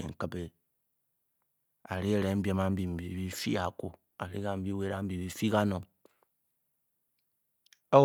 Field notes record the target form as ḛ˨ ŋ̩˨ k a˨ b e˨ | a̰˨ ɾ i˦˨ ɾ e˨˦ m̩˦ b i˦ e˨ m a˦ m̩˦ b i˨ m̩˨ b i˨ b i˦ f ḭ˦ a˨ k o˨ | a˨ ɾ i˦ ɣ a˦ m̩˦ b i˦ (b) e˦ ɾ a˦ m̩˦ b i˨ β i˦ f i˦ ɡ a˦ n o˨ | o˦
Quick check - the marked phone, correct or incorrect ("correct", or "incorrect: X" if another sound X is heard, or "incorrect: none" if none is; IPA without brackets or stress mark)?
incorrect: w